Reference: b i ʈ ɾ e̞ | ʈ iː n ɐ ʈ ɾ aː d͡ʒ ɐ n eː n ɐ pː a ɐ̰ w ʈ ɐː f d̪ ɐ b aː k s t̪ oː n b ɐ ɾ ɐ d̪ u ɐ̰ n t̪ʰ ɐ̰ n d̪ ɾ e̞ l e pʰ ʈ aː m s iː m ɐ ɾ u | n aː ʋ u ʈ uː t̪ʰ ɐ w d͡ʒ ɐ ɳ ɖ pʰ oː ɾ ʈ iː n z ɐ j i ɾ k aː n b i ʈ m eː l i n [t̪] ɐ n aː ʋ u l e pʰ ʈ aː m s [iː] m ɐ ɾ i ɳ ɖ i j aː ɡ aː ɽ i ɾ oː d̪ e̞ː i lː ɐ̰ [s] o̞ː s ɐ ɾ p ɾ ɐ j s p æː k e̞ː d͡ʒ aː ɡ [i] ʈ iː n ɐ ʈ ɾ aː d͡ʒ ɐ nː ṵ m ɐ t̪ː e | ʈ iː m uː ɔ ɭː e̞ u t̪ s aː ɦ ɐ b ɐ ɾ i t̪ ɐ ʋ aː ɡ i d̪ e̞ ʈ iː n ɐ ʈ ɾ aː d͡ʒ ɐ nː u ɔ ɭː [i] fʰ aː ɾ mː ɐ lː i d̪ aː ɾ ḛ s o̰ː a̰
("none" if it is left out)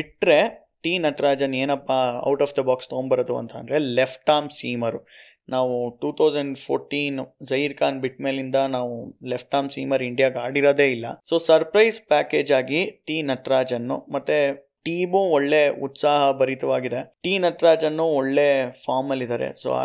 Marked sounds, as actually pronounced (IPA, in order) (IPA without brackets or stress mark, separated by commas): d̪, iː, s, i, e